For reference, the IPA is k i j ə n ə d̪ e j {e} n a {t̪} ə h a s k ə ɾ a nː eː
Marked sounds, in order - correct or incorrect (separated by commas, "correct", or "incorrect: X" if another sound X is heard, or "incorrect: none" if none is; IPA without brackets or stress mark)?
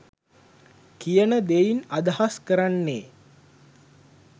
incorrect: i, incorrect: d̪